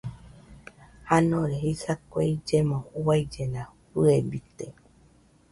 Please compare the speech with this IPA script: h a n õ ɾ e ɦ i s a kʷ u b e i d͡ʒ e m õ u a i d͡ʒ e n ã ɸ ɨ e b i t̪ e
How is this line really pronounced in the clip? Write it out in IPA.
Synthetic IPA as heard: h a n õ ɾ e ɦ i s a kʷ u e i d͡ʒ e m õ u a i d͡ʒ e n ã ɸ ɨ e b i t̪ e